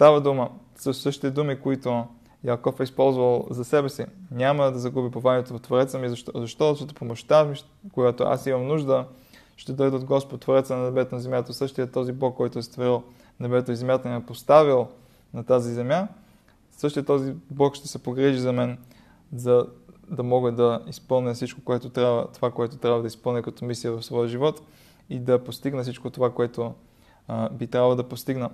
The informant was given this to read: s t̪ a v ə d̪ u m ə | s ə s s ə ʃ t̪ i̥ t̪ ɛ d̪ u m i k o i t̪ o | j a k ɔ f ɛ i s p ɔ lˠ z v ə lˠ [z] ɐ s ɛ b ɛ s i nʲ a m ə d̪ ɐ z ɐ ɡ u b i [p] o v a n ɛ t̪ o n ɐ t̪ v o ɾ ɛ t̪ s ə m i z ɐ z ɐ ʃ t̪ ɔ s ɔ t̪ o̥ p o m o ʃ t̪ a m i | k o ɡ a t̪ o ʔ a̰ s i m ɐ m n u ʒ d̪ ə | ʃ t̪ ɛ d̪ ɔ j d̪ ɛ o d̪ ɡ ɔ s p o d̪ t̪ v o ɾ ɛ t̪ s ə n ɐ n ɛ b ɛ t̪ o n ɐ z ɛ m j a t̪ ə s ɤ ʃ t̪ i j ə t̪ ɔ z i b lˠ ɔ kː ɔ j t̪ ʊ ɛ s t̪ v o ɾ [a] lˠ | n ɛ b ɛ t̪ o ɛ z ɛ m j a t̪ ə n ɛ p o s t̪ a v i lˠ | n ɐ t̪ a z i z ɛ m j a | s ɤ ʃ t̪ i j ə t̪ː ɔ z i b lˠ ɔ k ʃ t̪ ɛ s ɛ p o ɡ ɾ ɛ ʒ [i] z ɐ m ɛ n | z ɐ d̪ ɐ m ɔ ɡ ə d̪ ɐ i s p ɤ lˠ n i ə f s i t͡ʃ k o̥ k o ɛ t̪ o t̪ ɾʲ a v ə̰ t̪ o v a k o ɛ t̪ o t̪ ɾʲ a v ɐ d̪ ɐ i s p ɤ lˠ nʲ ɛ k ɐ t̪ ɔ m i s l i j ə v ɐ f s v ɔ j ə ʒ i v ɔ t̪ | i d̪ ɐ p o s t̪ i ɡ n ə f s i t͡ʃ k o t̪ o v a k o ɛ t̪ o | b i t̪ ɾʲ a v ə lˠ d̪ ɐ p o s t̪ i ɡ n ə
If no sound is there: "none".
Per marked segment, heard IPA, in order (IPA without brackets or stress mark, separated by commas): z, p, i, i